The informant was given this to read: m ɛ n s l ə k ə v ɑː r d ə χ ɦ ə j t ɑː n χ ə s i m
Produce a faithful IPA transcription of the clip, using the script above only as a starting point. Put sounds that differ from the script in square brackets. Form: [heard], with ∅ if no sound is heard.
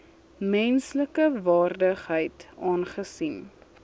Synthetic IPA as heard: m ɛ n s l ə k ə v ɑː r d ə χ ɦ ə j t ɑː n χ ə s i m